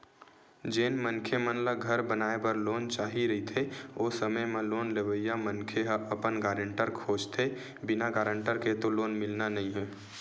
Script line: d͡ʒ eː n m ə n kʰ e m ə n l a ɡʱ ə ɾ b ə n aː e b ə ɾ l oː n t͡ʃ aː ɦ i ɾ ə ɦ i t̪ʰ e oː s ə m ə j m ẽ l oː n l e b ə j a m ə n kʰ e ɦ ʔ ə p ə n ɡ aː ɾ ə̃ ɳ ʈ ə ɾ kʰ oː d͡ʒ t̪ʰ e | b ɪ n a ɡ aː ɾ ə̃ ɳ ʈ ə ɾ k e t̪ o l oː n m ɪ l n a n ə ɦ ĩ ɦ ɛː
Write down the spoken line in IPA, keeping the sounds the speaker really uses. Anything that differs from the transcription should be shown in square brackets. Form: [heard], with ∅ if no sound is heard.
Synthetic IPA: d͡ʒ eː n m ə n kʰ e m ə n l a ɡʱ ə ɾ b ə n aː e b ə ɾ l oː n t͡ʃ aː ɦ i ɾ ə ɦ i t̪ʰ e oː s ə m ə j m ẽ l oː n l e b ə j a m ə n kʰ e ɦ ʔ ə p ə n ɡ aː ɾ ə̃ ɳ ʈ ə ɾ kʰ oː d͡ʒ t̪ʰ e | b ɪ n a ɡ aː ɾ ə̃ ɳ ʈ ə ɾ k e t̪ o l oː n m ɪ l n a n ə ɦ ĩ ɦ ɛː